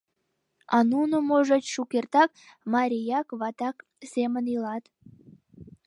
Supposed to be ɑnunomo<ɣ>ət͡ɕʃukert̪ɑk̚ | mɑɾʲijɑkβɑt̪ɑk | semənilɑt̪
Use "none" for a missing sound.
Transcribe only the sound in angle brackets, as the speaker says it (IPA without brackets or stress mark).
ʒ